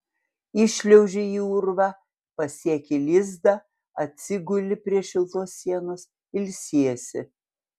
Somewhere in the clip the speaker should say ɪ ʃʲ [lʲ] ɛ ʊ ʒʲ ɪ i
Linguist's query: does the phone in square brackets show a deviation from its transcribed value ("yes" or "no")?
no